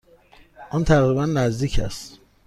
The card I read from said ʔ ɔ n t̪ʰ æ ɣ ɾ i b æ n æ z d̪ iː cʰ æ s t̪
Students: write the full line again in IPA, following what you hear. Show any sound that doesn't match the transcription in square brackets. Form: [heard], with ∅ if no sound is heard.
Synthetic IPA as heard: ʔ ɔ n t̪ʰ æ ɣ ɾ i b æ [nː] æ z d̪ iː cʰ æ s t̪

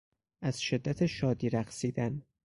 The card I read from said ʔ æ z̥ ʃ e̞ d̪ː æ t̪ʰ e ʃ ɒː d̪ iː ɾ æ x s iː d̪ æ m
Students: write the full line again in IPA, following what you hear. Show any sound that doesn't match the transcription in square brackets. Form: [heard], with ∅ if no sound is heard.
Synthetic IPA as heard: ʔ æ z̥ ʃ e̞ d̪ː æ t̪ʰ e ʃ ɒː d̪ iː ɾ æ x s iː d̪ æ [n]

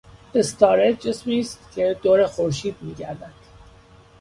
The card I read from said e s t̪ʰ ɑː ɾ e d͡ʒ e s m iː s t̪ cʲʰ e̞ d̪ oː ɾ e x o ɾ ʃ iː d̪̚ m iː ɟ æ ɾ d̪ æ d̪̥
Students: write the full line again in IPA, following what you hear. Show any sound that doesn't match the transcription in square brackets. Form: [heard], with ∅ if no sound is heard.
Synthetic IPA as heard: e s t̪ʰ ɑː ɾ e d͡ʒ e s m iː s t̪ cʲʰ e̞ d̪ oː ɾ e x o ɾ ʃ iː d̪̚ m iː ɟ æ ɾ d̪ æ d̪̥

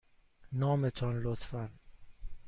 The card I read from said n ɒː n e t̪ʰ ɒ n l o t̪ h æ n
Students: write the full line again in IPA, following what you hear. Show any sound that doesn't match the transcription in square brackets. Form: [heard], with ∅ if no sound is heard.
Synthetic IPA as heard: n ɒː [m] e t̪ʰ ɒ n l o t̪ [f] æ n

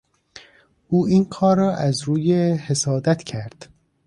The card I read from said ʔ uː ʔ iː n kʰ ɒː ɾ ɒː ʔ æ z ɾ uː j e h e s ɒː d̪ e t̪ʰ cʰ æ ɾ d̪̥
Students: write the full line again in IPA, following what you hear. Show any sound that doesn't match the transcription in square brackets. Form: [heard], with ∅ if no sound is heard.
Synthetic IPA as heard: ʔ uː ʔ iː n kʰ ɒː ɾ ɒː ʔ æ z ɾ uː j e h e s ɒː d̪ [æ] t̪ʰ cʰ æ ɾ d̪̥

